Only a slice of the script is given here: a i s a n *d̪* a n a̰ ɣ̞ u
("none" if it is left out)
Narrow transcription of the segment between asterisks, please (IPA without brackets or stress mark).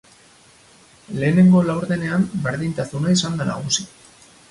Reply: d̪